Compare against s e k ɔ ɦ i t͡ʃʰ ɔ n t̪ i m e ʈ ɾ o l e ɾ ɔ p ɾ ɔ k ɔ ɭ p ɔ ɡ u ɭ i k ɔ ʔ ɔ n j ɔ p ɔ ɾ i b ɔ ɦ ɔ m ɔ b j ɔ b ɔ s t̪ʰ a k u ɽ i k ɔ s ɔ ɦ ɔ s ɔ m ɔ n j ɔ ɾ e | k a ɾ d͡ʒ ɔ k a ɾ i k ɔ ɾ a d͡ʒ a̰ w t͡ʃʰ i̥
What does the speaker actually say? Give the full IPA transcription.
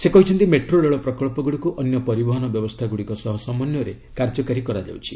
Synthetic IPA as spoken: s e k ɔ ɦ i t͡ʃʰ ɔ n t̪ i m e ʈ ɾ o l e ɭ ɔ p ɾ ɔ k ɔ ɭ p ɔ ɡ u ɽ i k u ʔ ɔ n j ɔ p ɔ ɾ i b ɔ ɦ ɔ n ɔ b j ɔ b ɔ s t̪ʰ a ɡ u ɽ i k ɔ s ɔ ɦ ɔ s ɔ m ɔ n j ɔ ɾ e | k a ɾ d͡ʒ ɔ k a ɾ i k ɔ ɾ a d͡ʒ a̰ w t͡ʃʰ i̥